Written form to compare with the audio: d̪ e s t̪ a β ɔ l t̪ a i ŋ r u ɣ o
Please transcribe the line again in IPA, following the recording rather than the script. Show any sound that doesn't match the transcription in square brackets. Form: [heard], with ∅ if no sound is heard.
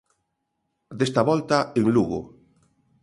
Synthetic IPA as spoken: d̪ e s t̪ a β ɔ l t̪ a [e] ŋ [l] u ɣ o